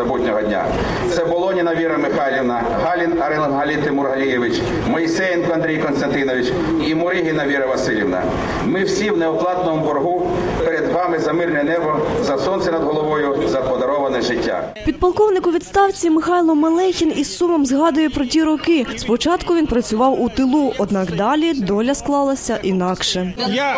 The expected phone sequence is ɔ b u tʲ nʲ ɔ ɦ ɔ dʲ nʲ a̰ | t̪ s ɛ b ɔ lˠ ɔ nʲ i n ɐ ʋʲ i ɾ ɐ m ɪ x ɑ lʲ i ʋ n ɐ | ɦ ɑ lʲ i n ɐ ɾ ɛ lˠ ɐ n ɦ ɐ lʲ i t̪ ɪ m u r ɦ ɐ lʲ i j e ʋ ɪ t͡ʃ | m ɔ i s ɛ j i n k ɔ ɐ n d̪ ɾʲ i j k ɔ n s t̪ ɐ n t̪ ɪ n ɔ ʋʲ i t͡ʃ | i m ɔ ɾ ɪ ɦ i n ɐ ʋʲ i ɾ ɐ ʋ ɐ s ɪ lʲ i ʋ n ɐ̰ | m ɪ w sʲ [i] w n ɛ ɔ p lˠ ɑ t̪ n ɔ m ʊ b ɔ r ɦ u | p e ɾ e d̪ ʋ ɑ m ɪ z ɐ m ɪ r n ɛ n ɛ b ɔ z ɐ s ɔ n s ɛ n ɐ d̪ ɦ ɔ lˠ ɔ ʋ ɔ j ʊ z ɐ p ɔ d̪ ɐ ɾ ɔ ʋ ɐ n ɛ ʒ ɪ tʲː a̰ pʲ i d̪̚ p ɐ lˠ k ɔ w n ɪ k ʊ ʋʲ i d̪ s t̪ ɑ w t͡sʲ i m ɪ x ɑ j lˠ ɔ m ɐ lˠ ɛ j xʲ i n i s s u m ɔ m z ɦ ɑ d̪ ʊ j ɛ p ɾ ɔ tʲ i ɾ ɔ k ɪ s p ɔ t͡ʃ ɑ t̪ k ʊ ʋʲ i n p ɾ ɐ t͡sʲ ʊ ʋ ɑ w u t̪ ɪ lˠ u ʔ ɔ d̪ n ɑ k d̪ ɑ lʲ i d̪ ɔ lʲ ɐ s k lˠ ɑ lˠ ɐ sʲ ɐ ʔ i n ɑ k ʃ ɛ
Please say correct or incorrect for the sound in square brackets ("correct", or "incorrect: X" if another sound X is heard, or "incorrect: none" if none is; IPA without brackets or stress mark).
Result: correct